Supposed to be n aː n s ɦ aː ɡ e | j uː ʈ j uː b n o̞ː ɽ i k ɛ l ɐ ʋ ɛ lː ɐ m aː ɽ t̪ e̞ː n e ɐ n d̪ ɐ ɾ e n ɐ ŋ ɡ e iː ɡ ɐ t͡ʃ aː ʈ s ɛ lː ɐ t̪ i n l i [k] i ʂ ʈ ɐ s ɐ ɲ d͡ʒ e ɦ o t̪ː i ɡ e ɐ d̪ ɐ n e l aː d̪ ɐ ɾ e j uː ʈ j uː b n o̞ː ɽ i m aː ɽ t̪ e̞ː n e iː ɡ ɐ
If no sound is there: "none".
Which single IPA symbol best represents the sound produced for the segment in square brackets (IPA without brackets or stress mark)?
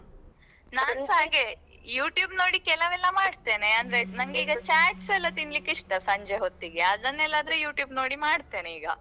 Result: k